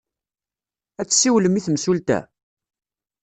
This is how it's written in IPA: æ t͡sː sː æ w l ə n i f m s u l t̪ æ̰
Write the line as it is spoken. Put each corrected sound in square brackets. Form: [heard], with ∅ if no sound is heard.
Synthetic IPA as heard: æ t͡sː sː [i] w l ə [m] i [θ] m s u l t̪ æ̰